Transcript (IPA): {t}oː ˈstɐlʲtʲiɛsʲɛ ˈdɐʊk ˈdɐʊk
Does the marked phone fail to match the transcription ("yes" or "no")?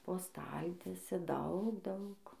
yes